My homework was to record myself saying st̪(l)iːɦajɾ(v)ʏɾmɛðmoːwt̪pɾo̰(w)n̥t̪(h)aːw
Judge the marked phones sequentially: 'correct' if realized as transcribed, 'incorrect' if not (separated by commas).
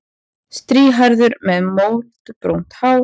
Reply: incorrect, incorrect, correct, correct